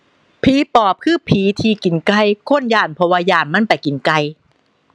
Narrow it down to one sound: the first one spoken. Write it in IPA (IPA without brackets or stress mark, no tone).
pʰ